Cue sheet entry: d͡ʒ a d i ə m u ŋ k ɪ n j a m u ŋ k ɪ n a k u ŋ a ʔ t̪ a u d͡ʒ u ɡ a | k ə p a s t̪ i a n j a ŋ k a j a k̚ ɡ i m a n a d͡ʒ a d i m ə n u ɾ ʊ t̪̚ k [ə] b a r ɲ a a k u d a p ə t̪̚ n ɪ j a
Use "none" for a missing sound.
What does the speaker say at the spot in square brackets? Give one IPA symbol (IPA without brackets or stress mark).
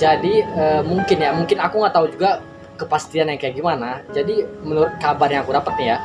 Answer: a